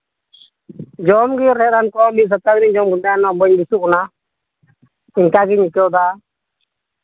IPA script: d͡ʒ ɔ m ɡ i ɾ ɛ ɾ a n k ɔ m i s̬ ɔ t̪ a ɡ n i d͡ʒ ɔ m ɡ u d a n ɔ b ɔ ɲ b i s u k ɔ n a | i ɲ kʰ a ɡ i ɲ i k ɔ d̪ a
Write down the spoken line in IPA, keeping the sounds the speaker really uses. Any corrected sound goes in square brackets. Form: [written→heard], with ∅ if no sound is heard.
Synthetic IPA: d͡ʒ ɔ m ɡ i ɾ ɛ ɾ a n k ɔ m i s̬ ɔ t̪ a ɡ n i d͡ʒ ɔ m ɡ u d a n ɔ b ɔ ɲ b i s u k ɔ n a | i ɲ [kʰ→k] a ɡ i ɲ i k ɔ d̪ a